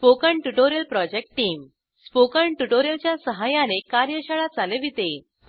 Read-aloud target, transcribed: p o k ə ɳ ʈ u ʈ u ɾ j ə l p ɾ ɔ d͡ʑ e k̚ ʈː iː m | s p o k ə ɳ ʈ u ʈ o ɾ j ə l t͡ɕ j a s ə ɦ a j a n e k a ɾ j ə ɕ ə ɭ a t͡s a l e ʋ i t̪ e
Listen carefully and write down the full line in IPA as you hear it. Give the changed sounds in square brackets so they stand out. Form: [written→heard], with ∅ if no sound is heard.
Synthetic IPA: p o k ə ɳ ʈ u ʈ [u→o] ɾ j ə l p ɾ ɔ d͡ʑ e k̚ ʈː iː m | s p o k ə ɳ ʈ u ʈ o ɾ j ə l t͡ɕ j a s ə ɦ a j a n e k a ɾ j ə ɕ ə ɭ a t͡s a l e ʋ i t̪ e